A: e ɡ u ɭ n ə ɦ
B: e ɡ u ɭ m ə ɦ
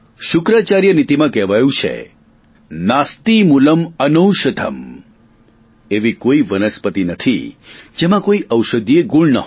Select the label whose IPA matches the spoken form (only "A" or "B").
A